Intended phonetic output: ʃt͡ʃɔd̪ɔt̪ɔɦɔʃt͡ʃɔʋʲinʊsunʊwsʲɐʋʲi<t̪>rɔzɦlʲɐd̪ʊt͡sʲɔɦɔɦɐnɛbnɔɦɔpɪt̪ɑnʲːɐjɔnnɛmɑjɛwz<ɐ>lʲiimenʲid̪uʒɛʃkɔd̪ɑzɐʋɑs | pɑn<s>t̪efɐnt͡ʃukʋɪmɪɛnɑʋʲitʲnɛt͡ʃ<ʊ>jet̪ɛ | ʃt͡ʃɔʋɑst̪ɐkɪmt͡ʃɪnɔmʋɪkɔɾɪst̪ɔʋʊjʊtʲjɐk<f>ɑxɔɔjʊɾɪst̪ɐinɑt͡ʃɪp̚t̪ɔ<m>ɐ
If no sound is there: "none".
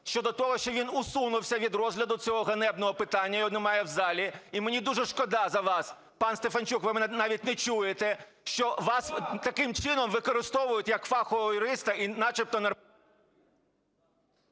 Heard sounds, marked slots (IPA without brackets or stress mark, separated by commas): d̪, ɑ, s, u, f, n